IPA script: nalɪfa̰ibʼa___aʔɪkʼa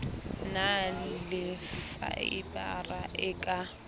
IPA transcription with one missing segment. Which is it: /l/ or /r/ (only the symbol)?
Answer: r